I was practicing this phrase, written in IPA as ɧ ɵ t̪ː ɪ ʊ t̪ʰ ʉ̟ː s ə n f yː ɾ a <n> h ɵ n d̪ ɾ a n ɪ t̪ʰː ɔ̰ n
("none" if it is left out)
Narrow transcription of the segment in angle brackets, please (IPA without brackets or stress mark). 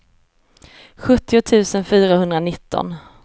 none